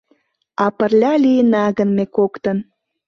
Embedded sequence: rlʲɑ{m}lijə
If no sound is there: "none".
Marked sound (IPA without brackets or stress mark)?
none